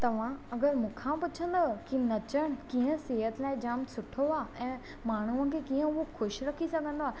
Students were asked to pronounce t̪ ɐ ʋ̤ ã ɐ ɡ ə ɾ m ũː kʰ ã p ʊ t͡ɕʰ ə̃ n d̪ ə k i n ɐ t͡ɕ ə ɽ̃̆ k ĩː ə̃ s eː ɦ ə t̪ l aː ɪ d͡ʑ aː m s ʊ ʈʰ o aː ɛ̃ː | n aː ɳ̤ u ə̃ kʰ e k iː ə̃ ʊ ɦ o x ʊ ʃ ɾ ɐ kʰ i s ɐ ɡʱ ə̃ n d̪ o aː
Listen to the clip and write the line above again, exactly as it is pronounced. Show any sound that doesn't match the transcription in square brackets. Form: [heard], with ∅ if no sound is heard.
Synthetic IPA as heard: t̪ ɐ ʋ̤ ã ɐ ɡ ə ɾ m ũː kʰ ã p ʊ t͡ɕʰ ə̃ n d̪ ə k i n ɐ t͡ɕ ə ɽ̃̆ k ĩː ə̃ s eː ɦ ə t̪ l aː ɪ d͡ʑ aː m s ʊ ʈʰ o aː ɛ̃ː | [m] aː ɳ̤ u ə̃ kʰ e k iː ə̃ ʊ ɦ o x ʊ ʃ ɾ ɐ kʰ i s ɐ ɡʱ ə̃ n d̪ o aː